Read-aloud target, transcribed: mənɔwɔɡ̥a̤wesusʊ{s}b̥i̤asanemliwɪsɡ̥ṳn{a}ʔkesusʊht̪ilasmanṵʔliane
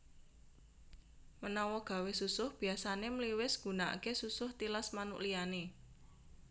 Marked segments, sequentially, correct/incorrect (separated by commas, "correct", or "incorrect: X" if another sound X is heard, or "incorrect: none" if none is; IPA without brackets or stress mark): incorrect: h, correct